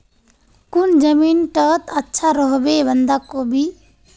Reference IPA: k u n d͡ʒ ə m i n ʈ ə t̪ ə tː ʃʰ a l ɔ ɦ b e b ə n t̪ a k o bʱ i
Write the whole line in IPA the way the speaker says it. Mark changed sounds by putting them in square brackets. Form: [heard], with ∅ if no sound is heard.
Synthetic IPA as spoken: k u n d͡ʒ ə m i n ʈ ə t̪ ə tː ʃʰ a [ɾ] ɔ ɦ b e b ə n [d̪] a k o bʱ i